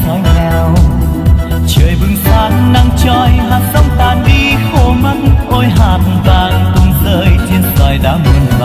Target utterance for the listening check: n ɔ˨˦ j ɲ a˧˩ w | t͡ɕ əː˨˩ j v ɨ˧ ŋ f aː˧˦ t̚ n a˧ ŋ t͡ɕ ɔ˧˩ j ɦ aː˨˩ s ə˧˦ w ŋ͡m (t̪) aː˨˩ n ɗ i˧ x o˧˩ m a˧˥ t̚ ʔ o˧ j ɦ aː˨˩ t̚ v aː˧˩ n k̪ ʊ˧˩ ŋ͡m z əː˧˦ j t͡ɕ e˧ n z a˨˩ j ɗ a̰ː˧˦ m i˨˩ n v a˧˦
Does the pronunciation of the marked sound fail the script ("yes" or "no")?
no